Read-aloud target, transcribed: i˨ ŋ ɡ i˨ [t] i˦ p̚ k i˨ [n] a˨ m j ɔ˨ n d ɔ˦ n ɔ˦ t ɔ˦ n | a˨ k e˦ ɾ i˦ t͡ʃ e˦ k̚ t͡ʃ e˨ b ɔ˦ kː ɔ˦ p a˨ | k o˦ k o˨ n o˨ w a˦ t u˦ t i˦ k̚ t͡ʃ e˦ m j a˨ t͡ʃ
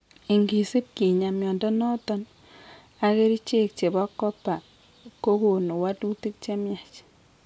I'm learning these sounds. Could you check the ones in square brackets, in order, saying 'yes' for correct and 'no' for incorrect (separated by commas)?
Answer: no, no